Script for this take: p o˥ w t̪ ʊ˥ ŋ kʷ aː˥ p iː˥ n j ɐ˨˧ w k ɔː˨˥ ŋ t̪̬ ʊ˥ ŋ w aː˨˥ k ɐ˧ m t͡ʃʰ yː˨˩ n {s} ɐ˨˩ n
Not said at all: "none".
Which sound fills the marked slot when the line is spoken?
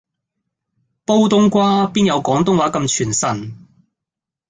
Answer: s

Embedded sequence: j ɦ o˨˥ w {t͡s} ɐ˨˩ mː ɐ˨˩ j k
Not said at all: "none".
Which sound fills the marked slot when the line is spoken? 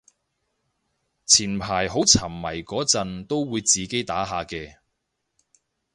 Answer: t͡sʰ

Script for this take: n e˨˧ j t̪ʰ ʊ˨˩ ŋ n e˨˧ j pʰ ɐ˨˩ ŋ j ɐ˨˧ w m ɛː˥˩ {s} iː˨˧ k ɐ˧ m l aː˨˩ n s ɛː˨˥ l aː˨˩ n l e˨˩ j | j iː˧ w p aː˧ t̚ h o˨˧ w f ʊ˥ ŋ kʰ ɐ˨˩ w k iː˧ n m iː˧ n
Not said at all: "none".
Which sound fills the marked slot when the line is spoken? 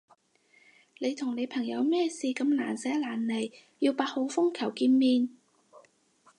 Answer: s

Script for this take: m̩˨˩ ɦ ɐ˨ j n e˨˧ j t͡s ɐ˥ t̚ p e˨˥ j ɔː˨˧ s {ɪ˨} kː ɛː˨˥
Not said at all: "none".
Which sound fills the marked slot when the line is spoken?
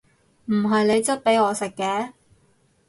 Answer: ɪ˨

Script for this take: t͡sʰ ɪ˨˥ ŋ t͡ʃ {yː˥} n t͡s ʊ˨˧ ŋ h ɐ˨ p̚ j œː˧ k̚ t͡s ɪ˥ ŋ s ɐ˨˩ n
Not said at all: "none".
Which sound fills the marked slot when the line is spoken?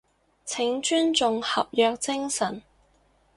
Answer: yː˥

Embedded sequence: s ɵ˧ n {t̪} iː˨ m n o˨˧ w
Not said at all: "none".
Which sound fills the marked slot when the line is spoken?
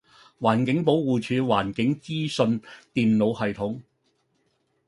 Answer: t̪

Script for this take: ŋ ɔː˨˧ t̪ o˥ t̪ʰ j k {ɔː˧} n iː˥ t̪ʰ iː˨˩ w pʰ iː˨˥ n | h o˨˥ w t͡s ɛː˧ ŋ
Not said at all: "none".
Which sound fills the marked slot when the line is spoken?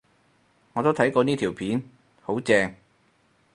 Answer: ɔː˧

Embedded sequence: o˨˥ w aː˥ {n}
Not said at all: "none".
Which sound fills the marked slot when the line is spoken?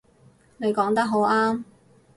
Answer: m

